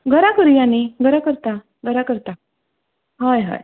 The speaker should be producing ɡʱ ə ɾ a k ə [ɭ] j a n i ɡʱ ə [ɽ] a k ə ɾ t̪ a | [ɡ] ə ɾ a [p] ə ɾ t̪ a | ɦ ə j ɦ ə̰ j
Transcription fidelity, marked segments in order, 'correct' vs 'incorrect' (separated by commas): incorrect, incorrect, correct, incorrect